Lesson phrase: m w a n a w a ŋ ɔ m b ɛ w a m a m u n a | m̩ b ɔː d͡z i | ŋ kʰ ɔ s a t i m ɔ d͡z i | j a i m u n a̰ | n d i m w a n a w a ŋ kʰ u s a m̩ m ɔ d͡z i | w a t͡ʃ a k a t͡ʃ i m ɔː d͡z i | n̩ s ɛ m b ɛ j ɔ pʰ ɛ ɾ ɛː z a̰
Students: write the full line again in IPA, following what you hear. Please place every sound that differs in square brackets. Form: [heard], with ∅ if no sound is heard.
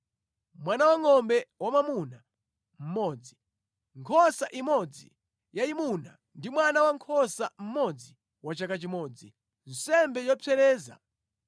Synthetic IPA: m w a n a w a ŋ ɔ m b ɛ w a m a m u n a | m̩ [m] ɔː d͡z i | ŋ kʰ ɔ s a [ʔ] i m ɔ d͡z i | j a i m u n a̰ | n d i m w a n a w a ŋ kʰ [ɔ] s a m̩ m ɔ d͡z i | w a t͡ʃ a k a t͡ʃ i m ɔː d͡z i | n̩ s ɛ m b ɛ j ɔ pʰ ɛ ɾ ɛː z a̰

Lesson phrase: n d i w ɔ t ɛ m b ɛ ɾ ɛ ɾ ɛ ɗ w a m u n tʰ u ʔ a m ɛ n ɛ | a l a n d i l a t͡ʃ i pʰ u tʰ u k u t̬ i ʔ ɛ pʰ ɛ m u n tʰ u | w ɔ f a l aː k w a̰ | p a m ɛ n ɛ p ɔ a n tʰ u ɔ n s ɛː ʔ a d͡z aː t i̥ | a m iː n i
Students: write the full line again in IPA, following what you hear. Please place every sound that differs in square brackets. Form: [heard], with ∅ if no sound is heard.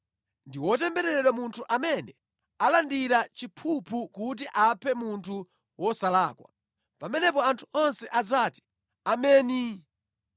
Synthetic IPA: n d i w ɔ t ɛ m b ɛ ɾ ɛ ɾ ɛ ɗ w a m u n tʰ u ʔ a m ɛ n ɛ | a l a n d i [ɾ] a t͡ʃ i pʰ u [pʰ] u k u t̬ i ʔ [a] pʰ ɛ m u n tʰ u | w ɔ [s] a l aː k w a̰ | p a m ɛ n ɛ p ɔ a n tʰ u ɔ n s [ɛ] ʔ a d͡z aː t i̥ | a m [ɛː] n i

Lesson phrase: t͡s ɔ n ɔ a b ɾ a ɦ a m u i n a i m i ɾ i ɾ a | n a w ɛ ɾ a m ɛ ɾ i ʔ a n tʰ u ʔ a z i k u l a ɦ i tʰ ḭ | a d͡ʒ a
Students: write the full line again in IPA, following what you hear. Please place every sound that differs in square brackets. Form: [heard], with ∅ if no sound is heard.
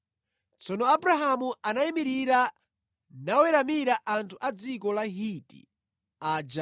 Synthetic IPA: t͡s ɔ n ɔ a b ɾ a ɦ a m u [a] n a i m i ɾ i ɾ a | n a w ɛ ɾ a m [i] ɾ [a] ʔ a n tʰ u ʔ a [d͡z] i k [ɔ] l a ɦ i [t] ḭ | a d͡ʒ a

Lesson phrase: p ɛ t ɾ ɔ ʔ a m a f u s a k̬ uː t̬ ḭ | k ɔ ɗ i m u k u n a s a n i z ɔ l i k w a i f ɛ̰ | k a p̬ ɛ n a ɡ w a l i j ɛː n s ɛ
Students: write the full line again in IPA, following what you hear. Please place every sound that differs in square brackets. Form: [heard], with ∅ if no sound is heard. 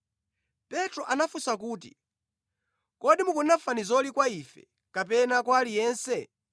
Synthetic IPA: p ɛ t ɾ ɔ ʔ a [n] a f u s a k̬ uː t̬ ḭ | k ɔ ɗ i m u k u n a [f] a n i z ɔ l i k w a i f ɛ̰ | k a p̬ ɛ n a [k] w a l i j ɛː n s ɛ

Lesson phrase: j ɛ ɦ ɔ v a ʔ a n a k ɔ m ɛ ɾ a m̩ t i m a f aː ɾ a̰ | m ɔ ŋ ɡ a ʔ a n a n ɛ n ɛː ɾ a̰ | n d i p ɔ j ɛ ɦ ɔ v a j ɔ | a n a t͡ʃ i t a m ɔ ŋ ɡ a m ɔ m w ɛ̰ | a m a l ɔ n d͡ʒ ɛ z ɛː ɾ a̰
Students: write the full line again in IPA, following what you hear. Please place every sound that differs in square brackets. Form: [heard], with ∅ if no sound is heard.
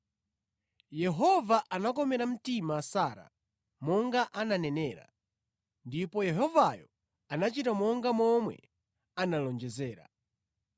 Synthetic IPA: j ɛ ɦ ɔ v a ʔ a n a k ɔ m ɛ ɾ a m̩ t i m a [s] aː ɾ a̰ | m ɔ ŋ ɡ a ʔ a n a n ɛ n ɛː ɾ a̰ | n d i p ɔ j ɛ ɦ ɔ v a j ɔ | a n a t͡ʃ i t a m ɔ ŋ ɡ a m ɔ m w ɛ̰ | a [n] a l ɔ n d͡ʒ ɛ z ɛː ɾ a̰

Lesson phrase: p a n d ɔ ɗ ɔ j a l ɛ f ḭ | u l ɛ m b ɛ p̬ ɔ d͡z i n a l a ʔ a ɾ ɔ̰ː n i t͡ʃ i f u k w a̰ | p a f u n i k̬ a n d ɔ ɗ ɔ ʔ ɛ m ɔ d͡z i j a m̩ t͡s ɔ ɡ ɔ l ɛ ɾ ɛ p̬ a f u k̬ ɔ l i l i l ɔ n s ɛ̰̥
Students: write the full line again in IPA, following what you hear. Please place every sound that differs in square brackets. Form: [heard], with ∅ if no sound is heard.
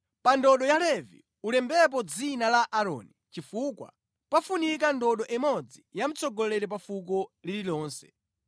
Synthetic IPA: p a n d ɔ ɗ ɔ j a l ɛ [v] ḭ | u l ɛ m b ɛ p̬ ɔ d͡z i n a l a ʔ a ɾ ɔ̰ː n i t͡ʃ i f u k w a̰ | p a f u n i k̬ a n d ɔ ɗ ɔ ʔ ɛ m ɔ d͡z i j a m̩ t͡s ɔ ɡ ɔ l ɛ ɾ ɛ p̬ a f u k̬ ɔ l i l i l [ɔː] n s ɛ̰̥

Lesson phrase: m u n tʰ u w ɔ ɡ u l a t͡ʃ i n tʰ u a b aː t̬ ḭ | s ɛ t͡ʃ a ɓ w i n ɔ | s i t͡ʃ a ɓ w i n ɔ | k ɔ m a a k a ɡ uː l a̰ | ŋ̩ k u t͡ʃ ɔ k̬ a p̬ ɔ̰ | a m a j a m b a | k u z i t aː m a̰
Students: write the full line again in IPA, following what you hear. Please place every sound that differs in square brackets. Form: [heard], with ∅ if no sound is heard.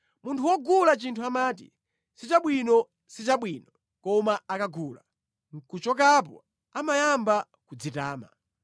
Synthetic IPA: m u n tʰ u w ɔ ɡ u l a t͡ʃ i n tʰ u a [m] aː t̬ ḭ | s [i] t͡ʃ a ɓ w i n ɔ | s i t͡ʃ a ɓ w i n ɔ | k ɔ m a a k a ɡ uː l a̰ | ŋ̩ k u t͡ʃ ɔ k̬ a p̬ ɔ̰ | a m a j a m b a | k u [d͡z] i t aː m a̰

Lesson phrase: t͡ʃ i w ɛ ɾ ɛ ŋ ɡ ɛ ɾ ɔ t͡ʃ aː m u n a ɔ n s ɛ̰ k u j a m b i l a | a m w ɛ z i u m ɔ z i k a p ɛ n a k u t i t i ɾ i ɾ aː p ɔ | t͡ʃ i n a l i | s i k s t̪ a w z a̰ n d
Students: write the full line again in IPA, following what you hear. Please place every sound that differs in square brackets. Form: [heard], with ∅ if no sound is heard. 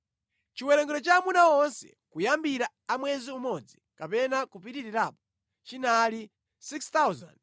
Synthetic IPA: t͡ʃ i w ɛ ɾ ɛ ŋ ɡ ɛ ɾ ɔ t͡ʃ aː m u n a ɔ n s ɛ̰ k u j a m b i [ɾ] a | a m w ɛ z i u m ɔ [d͡z] i k a p ɛ n a k u [p] i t i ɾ i ɾ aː p ɔ | t͡ʃ i n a l i | s i k s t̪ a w z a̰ n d

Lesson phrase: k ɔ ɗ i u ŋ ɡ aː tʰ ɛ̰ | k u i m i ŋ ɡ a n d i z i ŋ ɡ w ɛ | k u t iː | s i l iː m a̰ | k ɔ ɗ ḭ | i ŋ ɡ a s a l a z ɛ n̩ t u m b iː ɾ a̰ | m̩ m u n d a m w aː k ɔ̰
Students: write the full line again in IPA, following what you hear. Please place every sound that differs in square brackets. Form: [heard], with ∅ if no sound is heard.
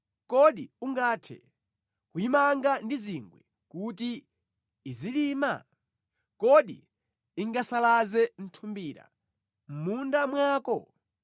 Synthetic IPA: k ɔ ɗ i u ŋ ɡ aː tʰ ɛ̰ | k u i m [a] ŋ ɡ a n d i z i ŋ ɡ w ɛ | k u t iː | [z] i l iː m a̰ | k ɔ ɗ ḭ | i ŋ ɡ a s a l a z ɛ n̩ [tʰ] u m b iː ɾ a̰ | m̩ m u n d a m w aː k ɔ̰

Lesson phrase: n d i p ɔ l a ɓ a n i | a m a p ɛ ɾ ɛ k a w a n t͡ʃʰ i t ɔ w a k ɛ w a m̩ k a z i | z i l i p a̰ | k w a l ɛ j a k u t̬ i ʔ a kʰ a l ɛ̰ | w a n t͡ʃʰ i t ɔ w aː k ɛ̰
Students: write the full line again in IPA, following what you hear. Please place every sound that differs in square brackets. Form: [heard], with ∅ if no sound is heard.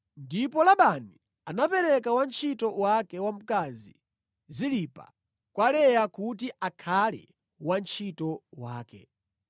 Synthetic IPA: n d i p ɔ l a ɓ a n i | a [n] a p ɛ ɾ ɛ k a w a n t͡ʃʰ i t ɔ w a k ɛ w a m̩ k a z i | z i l i p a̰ | k w a l ɛ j a k u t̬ i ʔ a kʰ a l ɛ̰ | w a n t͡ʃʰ i t ɔ w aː k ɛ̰

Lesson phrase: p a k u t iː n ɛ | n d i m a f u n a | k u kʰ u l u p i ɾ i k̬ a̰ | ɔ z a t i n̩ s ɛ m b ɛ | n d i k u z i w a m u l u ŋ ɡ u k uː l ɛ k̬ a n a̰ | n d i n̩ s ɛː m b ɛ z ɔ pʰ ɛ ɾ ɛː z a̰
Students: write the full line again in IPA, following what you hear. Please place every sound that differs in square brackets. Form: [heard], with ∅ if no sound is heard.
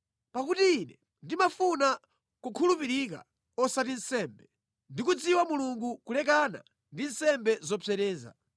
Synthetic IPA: p a k u t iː n ɛ | n d i m a f u n a | k u kʰ u l u p i ɾ i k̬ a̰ | ɔ [s] a t i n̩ s ɛ m b ɛ | n d i k u [d͡z] i w a m u l u ŋ ɡ u k [u] l ɛ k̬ a n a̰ | n d i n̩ s [ɛ] m b ɛ z ɔ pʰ ɛ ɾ ɛː z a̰

